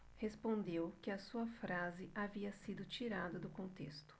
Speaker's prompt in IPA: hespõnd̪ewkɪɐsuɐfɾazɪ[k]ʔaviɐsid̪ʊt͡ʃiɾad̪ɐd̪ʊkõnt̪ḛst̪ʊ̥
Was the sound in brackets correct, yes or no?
no